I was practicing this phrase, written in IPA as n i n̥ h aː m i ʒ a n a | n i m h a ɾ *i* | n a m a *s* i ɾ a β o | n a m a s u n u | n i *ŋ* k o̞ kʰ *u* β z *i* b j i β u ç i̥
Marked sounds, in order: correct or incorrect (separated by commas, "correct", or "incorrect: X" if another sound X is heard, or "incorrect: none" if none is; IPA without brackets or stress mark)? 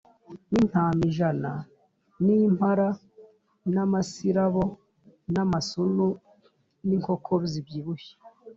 incorrect: a, correct, correct, incorrect: o, correct